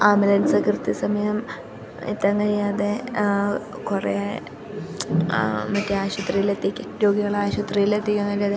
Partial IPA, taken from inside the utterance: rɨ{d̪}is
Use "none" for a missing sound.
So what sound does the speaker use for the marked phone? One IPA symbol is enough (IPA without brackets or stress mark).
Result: t̪